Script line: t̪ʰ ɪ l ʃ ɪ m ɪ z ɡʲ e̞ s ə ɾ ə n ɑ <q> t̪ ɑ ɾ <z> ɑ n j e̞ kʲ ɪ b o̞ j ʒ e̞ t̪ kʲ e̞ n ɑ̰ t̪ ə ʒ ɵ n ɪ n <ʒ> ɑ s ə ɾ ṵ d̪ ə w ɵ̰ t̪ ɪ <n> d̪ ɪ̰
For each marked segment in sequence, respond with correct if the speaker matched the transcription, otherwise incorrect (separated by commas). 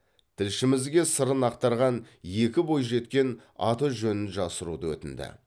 correct, incorrect, correct, correct